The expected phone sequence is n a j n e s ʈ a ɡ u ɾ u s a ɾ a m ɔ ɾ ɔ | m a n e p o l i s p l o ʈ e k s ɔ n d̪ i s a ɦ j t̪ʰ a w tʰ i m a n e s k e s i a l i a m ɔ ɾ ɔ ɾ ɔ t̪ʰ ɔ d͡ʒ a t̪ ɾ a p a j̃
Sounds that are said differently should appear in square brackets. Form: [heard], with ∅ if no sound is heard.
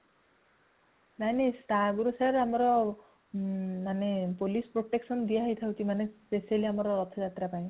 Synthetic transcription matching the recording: n a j n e s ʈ a ɡ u ɾ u s a ɾ a m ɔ ɾ ɔ | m a n e p o l i s p [ɾ] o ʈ e k s ɔ n d̪ i [∅] a ɦ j t̪ʰ a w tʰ i m a n e s [p] e s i a l i a m ɔ ɾ ɔ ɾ ɔ t̪ʰ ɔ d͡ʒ a t̪ ɾ a p a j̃